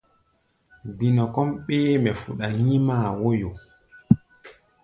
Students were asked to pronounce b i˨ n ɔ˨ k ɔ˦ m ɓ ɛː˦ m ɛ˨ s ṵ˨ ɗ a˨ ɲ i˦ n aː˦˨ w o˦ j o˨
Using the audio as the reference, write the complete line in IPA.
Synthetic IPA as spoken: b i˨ n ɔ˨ k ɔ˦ m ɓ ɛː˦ m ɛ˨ f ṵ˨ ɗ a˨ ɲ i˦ m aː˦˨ w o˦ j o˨